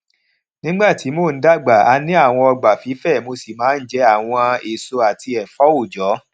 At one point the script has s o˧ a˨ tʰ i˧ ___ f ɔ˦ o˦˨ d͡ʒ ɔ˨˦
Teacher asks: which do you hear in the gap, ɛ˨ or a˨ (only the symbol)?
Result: ɛ˨